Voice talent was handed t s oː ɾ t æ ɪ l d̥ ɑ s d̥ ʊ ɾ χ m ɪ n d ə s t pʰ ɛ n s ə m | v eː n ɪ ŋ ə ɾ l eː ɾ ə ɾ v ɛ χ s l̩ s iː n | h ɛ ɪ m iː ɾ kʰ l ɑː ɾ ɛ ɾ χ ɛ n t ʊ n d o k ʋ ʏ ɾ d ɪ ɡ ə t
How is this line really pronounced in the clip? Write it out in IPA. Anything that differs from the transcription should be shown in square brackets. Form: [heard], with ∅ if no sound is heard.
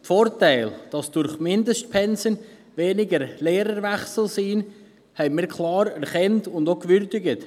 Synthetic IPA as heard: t [f] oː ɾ t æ ɪ l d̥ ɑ s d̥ ʊ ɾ χ m ɪ n d ə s t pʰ ɛ n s ə [n] | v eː n ɪ [ɡ] ə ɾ l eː ɾ ə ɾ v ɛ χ s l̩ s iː n | h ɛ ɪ m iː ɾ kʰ l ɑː ɾ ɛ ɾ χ ɛ n t ʊ n d o k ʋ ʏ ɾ d ɪ ɡ ə t

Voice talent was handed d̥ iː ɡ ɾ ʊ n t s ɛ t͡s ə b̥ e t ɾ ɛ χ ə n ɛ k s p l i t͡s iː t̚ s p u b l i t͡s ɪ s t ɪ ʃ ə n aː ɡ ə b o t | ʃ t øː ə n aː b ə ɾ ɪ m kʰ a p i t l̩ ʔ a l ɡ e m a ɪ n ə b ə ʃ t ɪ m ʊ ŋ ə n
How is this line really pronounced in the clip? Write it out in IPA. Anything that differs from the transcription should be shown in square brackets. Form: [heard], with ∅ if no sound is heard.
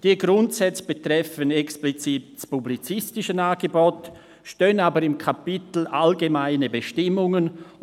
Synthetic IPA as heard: d̥ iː ɡ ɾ ʊ n t s ɛ t͡s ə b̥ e t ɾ ɛ [f] ə n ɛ k s p l i t͡s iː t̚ s p u b l i t͡s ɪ s t ɪ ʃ ə n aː ɡ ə b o t | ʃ t øː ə n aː b ə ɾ ɪ m kʰ a p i t l̩ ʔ a l ɡ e m a ɪ n ə b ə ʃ t ɪ m ʊ ŋ ə n

